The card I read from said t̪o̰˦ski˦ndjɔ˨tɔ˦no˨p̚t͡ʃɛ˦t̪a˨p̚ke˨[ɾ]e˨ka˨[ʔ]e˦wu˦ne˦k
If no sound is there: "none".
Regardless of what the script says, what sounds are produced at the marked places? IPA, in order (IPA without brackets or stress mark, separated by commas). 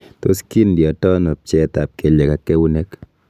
l, k